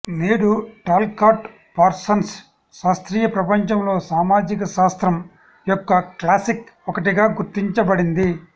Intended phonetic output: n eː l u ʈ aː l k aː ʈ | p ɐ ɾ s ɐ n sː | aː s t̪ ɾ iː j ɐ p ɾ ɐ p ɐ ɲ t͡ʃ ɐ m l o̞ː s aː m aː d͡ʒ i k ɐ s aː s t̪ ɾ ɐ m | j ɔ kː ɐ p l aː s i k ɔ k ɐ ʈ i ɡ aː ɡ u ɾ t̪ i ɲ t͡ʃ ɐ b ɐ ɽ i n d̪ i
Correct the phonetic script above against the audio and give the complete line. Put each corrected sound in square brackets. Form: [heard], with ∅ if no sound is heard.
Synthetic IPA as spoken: n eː [ɽ] u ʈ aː l k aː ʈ | p ɐ ɾ s ɐ n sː | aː s t̪ ɾ iː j ɐ p ɾ ɐ p ɐ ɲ t͡ʃ ɐ m l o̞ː s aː m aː d͡ʒ i k ɐ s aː s t̪ ɾ ɐ m | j ɔ kː ɐ [k] l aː s i k ɔ k ɐ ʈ i ɡ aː ɡ u ɾ t̪ i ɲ t͡ʃ ɐ b ɐ ɽ i n d̪ i